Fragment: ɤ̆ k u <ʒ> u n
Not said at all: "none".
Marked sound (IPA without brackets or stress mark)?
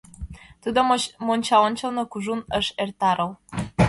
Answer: ʒ